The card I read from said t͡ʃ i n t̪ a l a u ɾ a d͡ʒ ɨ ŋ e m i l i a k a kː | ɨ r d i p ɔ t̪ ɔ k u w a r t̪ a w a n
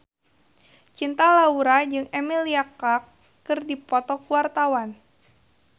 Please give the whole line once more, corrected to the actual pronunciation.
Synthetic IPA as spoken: t͡ʃ i n t̪ a l a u ɾ a d͡ʒ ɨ ŋ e m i l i a k a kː | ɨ r d i p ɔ t̪ ɔ k u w a r t̪ a w a n